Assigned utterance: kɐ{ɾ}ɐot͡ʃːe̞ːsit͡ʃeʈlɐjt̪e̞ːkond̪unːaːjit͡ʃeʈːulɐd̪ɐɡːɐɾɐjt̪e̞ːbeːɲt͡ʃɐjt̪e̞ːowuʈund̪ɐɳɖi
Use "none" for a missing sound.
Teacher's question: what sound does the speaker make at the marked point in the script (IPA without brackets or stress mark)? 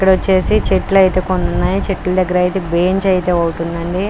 ɽ